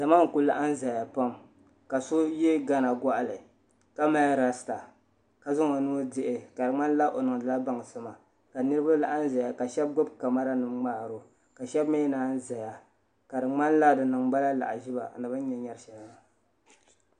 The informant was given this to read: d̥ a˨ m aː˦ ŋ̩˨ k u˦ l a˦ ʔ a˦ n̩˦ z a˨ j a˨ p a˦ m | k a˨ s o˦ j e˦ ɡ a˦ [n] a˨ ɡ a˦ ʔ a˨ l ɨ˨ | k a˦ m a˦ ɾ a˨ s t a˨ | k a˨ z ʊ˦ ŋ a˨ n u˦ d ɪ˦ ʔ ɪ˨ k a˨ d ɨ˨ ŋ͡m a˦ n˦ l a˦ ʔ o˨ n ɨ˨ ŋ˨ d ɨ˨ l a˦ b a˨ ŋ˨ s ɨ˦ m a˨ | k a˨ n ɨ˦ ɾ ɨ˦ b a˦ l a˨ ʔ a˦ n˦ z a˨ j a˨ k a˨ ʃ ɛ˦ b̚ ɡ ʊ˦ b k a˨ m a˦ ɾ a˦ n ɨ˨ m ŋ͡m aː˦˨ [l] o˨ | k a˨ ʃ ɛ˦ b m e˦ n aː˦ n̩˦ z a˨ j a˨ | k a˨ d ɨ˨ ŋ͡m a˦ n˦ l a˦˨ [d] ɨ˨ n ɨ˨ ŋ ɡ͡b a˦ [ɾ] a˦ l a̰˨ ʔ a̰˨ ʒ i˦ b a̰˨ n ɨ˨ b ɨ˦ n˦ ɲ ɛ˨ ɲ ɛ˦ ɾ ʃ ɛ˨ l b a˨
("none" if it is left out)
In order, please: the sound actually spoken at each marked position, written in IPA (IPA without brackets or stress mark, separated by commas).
n, ɾ, d, l